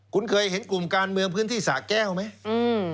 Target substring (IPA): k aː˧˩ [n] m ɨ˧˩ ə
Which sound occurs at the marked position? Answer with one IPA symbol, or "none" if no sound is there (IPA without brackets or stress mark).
n